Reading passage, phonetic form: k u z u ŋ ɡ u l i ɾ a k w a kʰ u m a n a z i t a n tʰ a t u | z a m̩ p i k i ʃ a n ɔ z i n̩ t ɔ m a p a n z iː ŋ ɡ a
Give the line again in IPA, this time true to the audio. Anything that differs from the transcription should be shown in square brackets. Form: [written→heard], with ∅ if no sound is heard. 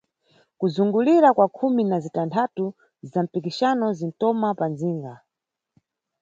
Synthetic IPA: k u z u ŋ ɡ u l i ɾ a k w a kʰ u m [a→i] n a z i t a n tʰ a t u | z a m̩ p i k i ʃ a n ɔ z i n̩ t ɔ m a p a n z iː ŋ ɡ a